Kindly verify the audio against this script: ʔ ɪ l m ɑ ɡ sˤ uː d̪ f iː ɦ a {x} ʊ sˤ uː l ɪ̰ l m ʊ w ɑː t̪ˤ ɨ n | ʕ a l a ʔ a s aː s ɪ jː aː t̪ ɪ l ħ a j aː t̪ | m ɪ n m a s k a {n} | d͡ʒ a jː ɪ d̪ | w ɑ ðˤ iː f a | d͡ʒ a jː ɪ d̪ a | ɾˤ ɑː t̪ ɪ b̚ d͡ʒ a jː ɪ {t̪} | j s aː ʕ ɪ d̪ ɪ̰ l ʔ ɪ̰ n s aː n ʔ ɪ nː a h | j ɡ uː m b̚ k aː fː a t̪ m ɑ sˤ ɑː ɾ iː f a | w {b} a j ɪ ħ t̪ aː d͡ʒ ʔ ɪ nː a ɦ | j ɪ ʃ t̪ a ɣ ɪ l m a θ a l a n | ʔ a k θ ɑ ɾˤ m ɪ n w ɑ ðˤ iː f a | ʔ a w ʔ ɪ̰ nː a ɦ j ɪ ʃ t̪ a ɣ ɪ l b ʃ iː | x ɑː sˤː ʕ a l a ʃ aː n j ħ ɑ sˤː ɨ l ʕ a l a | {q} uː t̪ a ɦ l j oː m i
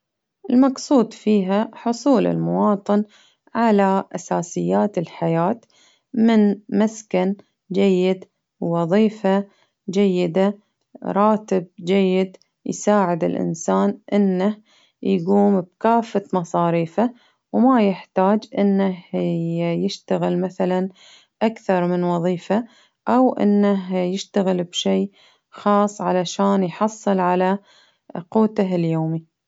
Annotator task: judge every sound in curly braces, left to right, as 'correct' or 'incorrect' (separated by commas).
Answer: incorrect, correct, incorrect, incorrect, correct